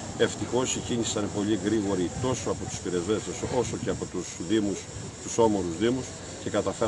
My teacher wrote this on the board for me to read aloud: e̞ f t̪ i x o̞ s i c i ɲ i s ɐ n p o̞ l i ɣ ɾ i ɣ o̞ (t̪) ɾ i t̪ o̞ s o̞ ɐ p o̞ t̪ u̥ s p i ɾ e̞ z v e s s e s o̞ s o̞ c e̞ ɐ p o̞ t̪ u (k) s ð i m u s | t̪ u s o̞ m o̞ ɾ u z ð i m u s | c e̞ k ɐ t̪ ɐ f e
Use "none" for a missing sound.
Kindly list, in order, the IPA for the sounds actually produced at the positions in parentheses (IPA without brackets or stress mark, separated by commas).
none, none